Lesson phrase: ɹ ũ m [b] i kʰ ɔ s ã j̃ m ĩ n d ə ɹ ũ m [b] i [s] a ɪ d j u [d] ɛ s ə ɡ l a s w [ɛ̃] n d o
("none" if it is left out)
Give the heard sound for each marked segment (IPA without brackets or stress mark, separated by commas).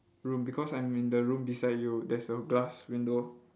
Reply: b, b, s, d, ĩ